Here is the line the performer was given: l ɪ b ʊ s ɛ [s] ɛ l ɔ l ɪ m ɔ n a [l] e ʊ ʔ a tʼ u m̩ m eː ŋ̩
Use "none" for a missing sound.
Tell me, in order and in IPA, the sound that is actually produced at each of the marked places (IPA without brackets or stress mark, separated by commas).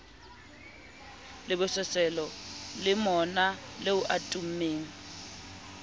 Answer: s, l